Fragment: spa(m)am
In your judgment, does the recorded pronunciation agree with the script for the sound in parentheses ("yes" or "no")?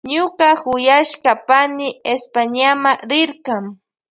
no